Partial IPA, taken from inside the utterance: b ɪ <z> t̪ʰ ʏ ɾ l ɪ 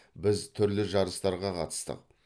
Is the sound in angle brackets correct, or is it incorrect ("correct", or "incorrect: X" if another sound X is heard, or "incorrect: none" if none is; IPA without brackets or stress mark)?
correct